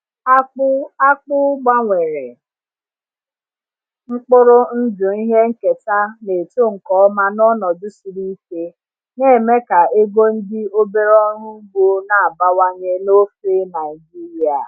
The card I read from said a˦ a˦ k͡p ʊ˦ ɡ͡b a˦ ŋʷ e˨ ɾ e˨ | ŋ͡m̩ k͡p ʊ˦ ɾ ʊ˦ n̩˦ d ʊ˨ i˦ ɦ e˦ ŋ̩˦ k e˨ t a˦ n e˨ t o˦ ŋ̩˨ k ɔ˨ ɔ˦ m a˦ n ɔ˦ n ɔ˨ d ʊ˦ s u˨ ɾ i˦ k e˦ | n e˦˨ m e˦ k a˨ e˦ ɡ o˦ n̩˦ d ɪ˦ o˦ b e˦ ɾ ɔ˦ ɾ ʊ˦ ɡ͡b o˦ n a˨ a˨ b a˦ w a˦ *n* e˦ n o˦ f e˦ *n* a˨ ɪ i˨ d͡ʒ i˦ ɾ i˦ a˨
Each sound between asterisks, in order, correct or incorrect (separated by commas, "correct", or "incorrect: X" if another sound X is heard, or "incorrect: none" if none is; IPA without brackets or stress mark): incorrect: ɲ, correct